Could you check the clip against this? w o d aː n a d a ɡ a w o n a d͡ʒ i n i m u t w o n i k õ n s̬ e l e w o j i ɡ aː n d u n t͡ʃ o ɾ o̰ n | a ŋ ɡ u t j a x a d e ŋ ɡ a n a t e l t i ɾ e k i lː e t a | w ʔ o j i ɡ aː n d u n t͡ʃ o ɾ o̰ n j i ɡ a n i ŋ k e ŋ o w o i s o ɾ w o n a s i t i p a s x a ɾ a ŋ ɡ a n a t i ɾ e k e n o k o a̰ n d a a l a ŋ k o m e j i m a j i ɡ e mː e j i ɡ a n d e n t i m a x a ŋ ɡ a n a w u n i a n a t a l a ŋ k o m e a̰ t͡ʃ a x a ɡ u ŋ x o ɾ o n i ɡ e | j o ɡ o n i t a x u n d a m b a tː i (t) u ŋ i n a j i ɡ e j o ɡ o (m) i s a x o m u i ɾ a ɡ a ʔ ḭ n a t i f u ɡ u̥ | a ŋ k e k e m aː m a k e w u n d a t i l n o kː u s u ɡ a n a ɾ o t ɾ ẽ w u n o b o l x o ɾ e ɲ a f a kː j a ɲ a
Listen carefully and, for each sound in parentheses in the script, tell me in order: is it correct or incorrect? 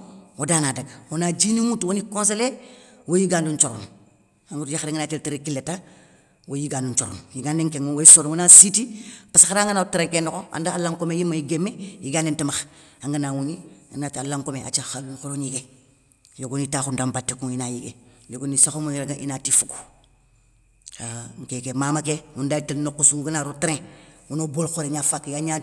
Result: incorrect, incorrect

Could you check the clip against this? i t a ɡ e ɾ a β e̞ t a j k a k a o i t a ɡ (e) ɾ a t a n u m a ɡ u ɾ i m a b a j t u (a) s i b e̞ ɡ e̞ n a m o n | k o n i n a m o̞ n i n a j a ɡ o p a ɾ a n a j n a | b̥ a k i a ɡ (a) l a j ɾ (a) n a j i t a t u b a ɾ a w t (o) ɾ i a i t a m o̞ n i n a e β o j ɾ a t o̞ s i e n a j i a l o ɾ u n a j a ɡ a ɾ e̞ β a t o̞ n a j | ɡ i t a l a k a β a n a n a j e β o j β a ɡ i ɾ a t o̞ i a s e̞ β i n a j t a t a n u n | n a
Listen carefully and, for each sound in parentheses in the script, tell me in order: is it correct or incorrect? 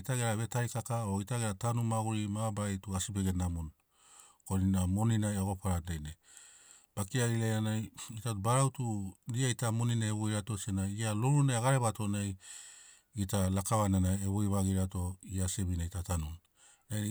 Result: correct, correct, incorrect, correct, incorrect

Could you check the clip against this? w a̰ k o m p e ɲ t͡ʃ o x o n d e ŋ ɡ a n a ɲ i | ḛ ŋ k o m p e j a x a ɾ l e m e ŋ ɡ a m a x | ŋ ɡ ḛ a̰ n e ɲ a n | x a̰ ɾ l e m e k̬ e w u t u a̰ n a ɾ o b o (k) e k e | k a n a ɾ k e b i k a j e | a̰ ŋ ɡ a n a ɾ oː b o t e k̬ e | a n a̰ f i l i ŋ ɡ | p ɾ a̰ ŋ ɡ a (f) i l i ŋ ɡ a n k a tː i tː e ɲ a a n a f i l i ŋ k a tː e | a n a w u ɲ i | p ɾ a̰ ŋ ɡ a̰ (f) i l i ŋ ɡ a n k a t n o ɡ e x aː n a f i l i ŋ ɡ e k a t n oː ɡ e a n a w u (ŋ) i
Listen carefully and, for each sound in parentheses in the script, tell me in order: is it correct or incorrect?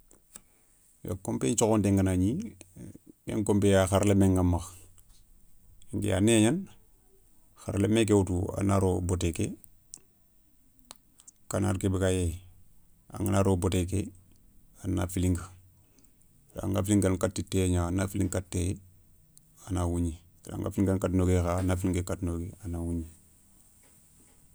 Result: incorrect, correct, correct, incorrect

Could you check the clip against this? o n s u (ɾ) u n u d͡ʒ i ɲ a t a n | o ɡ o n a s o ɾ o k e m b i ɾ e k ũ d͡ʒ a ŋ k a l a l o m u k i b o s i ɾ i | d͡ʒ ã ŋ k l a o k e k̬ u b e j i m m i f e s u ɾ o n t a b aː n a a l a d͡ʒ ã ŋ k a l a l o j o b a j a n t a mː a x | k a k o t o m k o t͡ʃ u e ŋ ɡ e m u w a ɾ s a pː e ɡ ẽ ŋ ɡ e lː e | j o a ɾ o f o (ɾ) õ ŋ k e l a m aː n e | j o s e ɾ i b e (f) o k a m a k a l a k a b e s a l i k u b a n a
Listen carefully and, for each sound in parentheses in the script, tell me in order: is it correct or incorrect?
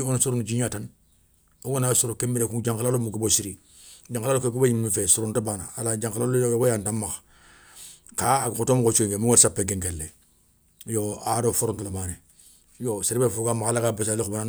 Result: correct, correct, correct

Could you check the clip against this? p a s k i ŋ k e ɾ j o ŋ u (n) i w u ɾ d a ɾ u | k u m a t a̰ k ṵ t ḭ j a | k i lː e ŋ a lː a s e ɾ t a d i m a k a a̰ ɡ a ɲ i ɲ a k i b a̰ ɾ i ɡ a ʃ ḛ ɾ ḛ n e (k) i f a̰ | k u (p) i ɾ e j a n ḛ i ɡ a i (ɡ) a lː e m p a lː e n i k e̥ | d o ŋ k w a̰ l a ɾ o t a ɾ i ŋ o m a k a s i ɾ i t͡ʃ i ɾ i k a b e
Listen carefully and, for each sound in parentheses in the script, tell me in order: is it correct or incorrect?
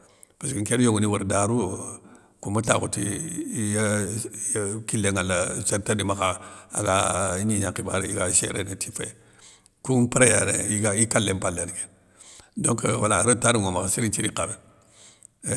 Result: correct, incorrect, correct, incorrect

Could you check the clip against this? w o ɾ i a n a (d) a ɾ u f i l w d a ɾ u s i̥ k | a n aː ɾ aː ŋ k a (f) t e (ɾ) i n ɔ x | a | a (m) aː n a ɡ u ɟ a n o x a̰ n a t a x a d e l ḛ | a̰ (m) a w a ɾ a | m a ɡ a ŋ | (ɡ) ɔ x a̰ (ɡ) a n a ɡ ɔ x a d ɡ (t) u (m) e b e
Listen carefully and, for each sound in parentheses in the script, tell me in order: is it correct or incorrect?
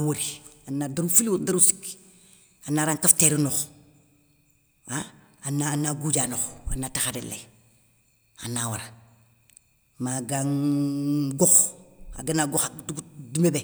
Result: correct, correct, correct, incorrect, incorrect, correct, correct, incorrect, correct

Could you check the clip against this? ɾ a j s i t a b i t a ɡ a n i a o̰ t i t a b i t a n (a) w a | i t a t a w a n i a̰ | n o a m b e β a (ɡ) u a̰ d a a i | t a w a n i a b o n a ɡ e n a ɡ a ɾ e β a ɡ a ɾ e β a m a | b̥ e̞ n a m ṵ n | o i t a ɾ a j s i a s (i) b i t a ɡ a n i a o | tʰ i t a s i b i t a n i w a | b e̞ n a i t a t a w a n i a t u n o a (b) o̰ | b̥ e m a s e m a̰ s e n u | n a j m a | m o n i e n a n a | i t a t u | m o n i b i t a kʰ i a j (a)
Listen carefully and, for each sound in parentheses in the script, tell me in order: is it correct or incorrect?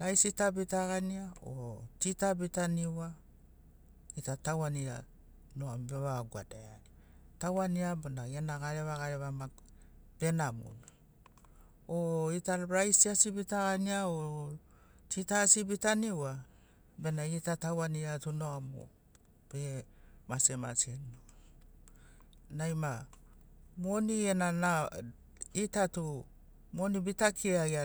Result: incorrect, correct, correct, incorrect, correct

